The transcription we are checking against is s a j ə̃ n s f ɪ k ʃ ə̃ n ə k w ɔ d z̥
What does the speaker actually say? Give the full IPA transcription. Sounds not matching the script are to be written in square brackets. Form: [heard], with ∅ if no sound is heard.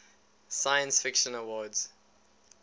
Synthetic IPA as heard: s a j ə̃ n s f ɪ k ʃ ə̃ n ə [∅] w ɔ d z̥

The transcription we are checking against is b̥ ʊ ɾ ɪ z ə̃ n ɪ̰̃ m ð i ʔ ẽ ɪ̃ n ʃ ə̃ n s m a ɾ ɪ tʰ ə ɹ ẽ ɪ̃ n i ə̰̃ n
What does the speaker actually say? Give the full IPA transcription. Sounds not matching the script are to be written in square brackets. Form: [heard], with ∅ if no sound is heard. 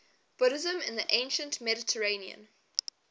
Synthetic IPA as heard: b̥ ʊ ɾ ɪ z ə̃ [m] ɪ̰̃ [n] ð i ʔ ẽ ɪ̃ n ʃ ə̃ n [t] m [ɛ] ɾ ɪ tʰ ə ɹ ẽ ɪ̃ n i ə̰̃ n

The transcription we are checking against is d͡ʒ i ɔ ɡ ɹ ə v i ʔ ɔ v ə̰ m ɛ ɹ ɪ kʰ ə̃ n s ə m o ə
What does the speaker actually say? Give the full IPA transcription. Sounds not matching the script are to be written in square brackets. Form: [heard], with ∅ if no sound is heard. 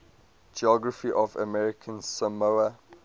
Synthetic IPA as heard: d͡ʒ i ɔ ɡ ɹ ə [f] i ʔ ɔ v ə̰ m ɛ ɹ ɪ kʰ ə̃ n s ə m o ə

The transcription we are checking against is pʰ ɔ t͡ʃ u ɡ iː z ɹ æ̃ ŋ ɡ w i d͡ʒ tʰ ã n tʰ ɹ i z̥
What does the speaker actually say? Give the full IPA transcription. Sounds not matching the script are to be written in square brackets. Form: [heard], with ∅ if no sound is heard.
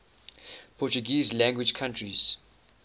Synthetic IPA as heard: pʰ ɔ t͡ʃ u ɡ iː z [l] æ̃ ŋ ɡ w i d͡ʒ [kʰ] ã n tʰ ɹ i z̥

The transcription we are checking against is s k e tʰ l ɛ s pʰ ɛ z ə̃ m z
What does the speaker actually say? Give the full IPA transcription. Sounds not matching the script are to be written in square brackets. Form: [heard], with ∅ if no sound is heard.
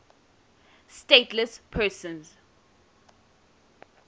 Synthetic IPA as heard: s [t] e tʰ l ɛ s pʰ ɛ [s] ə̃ [n] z

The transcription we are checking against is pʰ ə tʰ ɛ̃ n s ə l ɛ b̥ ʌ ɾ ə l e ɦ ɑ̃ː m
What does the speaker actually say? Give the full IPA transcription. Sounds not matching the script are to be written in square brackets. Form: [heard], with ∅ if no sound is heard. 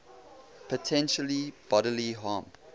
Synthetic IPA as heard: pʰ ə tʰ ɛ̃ n [ʃ] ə l [i] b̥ [ɔ] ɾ ə l [i] ɦ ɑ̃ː m

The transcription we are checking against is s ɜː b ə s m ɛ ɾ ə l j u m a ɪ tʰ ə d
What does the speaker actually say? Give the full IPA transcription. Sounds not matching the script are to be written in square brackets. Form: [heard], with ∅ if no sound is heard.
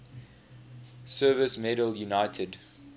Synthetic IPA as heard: s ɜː [v] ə s m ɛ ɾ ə l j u [n] a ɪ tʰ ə d

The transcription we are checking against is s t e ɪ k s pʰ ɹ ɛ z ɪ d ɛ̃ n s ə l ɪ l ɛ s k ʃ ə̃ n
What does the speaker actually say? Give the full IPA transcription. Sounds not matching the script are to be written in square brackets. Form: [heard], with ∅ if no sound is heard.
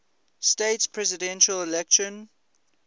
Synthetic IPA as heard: s t e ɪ [t] s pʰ ɹ ɛ z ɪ d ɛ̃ n [ʃ] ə l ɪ l ɛ [∅] k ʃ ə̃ n

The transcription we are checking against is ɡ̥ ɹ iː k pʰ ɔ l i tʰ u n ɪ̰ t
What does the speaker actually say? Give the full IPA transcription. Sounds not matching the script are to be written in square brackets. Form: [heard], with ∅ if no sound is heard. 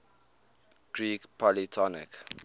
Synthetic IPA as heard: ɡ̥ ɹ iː k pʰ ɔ l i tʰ [ɔ] n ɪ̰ [k]

